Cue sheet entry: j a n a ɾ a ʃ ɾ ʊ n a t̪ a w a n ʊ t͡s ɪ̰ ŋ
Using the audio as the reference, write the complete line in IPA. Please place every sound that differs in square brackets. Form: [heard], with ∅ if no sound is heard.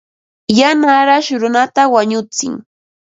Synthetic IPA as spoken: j a n a ɾ a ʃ ɾ ʊ n a t̪ a w a [ɲ] ʊ t͡s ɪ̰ ŋ